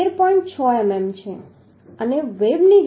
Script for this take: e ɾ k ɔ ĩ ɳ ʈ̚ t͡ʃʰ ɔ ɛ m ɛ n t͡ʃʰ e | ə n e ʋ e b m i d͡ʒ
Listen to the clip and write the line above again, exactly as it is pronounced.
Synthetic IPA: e ɾ p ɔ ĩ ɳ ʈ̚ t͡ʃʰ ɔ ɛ m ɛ m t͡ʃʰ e | ə n e ʋ e b n i d͡ʒ